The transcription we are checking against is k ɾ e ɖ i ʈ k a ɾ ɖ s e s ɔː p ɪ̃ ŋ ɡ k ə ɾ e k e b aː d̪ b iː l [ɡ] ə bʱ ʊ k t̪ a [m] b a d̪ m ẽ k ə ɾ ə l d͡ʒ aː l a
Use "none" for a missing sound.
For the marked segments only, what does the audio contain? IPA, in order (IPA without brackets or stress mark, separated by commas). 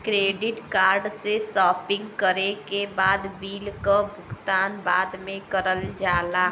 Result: k, n